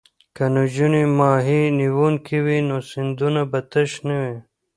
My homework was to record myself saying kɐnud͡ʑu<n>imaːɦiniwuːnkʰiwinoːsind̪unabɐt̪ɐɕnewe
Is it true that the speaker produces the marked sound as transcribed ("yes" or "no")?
yes